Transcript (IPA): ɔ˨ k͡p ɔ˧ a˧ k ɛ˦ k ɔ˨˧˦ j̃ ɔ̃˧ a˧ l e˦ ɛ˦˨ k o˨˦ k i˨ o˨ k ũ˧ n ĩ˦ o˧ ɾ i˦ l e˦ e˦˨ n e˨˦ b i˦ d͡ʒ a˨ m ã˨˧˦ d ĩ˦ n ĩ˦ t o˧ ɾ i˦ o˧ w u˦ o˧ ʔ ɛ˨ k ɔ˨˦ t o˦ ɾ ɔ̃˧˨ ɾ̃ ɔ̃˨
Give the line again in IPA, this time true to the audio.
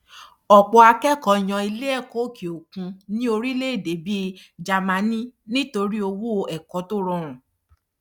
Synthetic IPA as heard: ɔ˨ k͡p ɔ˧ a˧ k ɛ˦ k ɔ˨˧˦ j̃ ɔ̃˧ i˧ l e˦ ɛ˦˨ k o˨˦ k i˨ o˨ k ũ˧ n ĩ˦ o˧ ɾ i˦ l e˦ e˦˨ d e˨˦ b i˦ d͡ʒ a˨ m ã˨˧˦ n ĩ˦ n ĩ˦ t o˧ ɾ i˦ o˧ w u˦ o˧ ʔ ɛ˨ k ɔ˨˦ t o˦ ɾ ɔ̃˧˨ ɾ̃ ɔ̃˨